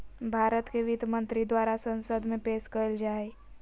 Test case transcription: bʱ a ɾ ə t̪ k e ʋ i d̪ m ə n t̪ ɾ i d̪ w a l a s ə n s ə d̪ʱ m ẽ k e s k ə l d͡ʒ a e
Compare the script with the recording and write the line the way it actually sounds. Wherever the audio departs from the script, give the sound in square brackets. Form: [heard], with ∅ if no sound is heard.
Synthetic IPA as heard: bʱ a ɾ ə t̪ k e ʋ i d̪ m ə n t̪ ɾ i d̪ w a [ɾ] a s ə n s ə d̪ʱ m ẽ [p] e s k ə l d͡ʒ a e